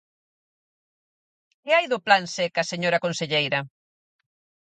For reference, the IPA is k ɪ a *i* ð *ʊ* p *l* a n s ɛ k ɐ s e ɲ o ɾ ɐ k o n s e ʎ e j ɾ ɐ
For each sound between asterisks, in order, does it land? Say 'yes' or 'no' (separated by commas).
no, yes, yes